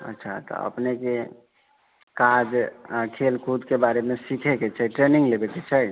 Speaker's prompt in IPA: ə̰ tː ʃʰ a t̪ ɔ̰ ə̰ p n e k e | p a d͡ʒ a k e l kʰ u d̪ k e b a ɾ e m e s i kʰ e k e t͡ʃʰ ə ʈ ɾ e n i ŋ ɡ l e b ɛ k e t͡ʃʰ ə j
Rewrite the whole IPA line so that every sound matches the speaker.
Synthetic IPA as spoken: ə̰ tː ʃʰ a t̪ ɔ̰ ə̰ p n e k e | k a d͡ʒ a kʰ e l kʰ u d̪ k e b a ɾ e m e s i kʰ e k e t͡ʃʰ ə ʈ ɾ e n i ŋ ɡ l e b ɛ k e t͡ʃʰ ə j